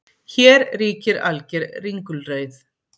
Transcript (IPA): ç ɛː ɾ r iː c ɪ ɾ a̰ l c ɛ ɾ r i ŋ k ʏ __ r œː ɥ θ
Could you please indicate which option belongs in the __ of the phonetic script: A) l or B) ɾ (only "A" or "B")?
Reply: A